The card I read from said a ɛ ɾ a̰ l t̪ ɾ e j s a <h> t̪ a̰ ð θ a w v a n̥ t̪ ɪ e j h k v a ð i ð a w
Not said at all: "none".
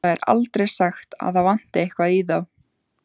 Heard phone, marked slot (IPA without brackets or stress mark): x